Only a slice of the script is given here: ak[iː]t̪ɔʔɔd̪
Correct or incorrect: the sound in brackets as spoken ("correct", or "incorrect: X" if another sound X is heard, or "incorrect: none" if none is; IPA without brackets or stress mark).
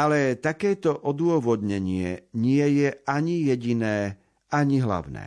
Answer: incorrect: ɛː